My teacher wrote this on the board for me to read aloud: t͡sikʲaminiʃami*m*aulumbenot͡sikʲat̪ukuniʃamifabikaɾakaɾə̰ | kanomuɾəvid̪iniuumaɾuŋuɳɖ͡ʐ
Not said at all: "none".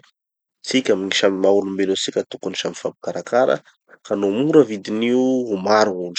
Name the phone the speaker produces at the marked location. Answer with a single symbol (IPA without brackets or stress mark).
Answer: m